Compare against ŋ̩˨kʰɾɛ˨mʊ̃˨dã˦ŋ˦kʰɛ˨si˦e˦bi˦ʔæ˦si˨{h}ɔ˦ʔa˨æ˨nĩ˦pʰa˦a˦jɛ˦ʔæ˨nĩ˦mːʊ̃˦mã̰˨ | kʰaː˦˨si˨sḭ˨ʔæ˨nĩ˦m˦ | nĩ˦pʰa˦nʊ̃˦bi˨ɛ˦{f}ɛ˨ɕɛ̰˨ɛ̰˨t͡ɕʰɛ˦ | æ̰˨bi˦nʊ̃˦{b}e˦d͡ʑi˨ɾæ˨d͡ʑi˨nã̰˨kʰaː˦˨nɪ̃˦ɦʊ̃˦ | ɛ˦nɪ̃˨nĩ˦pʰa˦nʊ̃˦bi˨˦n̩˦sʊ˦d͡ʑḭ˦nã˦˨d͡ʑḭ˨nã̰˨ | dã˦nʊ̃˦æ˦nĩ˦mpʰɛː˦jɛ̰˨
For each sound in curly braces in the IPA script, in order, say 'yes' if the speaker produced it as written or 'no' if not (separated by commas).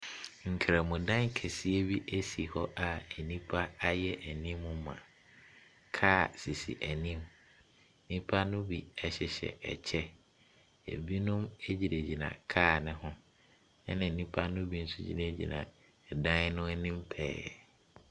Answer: yes, no, no